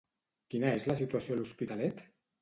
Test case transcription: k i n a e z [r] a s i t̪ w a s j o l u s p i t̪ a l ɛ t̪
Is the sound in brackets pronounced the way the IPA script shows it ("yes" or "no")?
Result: no